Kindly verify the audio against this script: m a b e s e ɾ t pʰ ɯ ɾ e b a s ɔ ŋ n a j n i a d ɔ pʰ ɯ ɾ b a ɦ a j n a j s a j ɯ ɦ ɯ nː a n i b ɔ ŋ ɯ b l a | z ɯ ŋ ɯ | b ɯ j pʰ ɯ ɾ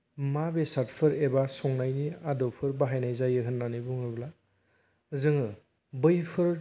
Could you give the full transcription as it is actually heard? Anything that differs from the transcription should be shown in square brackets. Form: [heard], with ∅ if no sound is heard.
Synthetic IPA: m a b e s [a] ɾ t pʰ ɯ ɾ e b a s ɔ ŋ n a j n i a d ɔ pʰ ɯ ɾ b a ɦ a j n a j [z] a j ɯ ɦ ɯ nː a n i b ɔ ŋ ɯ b l a | z ɯ ŋ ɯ | b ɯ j pʰ ɯ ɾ